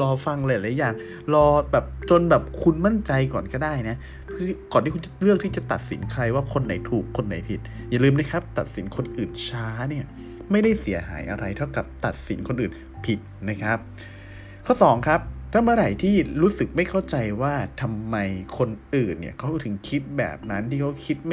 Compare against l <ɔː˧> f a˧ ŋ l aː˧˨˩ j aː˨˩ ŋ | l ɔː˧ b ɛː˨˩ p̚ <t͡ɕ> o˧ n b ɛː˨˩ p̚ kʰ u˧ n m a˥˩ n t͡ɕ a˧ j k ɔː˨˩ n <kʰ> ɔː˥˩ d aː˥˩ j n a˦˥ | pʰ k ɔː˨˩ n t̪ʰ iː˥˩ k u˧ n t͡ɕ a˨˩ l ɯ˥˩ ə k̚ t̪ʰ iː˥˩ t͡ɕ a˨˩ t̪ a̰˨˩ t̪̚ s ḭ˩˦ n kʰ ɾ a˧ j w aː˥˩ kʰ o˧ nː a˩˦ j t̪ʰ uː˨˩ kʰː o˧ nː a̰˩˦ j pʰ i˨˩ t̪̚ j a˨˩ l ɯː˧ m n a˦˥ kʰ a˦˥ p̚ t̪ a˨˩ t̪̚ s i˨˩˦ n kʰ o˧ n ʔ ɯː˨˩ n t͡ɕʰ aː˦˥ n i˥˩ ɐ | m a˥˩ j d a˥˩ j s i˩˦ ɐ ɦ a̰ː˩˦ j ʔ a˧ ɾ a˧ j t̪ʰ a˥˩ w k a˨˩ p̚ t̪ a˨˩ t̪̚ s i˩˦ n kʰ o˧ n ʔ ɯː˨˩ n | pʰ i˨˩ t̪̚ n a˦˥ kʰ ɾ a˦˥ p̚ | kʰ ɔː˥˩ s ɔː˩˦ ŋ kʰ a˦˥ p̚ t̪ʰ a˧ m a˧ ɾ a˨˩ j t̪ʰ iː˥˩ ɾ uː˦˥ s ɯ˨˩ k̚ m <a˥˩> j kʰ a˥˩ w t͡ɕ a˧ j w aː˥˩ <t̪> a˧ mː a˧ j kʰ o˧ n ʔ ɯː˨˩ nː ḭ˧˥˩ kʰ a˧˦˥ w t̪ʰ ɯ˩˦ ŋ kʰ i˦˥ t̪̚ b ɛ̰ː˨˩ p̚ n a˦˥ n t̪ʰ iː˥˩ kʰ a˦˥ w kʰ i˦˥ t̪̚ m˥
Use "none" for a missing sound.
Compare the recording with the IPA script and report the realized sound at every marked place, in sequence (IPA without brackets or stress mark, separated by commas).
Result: ɔː˧, t͡ɕ, k, a˥˩, t̪ʰ